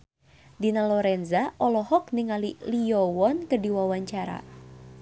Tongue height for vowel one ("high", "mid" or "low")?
high